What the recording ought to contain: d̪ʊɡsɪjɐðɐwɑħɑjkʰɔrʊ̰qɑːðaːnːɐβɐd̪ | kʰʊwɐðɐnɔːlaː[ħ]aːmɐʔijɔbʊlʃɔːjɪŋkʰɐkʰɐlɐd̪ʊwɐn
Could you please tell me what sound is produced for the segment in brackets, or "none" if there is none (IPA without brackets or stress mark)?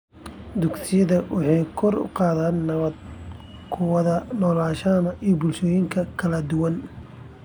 ʃ